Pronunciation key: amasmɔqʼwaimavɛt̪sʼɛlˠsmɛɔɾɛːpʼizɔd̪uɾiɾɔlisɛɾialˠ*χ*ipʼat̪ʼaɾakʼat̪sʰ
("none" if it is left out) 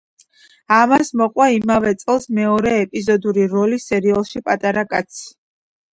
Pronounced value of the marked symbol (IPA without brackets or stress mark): ʃ